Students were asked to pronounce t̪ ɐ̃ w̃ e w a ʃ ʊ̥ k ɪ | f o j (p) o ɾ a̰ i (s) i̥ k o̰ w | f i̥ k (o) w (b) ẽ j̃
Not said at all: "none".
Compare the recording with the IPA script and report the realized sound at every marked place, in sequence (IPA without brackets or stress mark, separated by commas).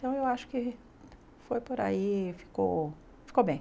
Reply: p, f, o, b